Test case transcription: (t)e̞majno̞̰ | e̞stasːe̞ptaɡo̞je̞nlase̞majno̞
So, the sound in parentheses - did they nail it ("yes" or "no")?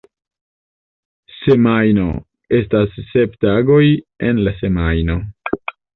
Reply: no